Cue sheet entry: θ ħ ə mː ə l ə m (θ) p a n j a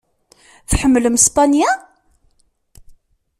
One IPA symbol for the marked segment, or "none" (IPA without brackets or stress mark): s